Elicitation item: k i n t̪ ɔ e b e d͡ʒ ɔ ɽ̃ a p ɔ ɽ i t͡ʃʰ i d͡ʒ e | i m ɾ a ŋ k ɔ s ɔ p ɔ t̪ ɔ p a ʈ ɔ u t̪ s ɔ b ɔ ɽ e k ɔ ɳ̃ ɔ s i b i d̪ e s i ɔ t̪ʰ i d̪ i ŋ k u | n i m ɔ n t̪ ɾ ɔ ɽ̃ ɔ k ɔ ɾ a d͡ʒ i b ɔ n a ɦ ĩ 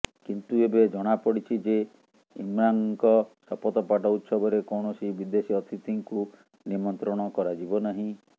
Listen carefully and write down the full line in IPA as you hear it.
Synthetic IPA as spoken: k i n t̪ u e b e d͡ʒ ɔ ɽ̃ a p ɔ ɽ i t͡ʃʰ i d͡ʒ e | i m ɾ a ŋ k ɔ s ɔ p ɔ t̪ ɔ p a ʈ ɔ u t̪ s ɔ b ɔ ɾ e k ɔ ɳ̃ ɔ s i b i d̪ e s i ɔ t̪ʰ i t̪ i ŋ k u | n i m ɔ n t̪ ɾ ɔ ɽ̃ ɔ k ɔ ɾ a d͡ʒ i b ɔ n a ɦ ĩ

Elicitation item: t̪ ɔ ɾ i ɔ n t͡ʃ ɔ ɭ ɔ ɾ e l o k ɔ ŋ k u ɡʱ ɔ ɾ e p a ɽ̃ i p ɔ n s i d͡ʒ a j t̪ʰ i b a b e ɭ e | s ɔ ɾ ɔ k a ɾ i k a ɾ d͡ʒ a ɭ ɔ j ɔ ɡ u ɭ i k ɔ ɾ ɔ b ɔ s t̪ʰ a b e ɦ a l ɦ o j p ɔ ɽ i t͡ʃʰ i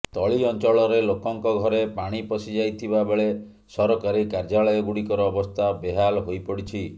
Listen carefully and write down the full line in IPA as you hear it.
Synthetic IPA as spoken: t̪ ɔ ɭ i ɔ n t͡ʃ ɔ ɭ ɔ ɾ e l o k ɔ ŋ k ɔ ɡʱ ɔ ɾ e p a ɽ̃ i p ɔ s i d͡ʒ a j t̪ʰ i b a b e ɭ e | s ɔ ɾ ɔ k a ɾ i k a ɾ d͡ʒ a ɭ ɔ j ɔ ɡ u ɽ i k ɔ ɾ ɔː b ɔ s t̪ʰ a b e ɦ a l ɦ o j p ɔ ɽ i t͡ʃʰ i

